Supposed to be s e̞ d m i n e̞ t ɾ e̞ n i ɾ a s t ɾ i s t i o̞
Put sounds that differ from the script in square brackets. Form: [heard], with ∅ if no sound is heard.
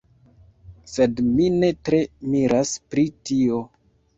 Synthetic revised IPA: s e̞ d m i n e̞ t ɾ e̞ [m] i ɾ a s [p] ɾ i [∅] t i o̞